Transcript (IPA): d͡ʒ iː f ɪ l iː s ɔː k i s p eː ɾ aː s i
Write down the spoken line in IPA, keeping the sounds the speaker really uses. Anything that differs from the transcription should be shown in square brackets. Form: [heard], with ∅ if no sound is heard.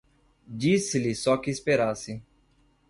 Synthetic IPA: d͡ʒ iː [s] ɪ l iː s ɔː k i s p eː ɾ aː s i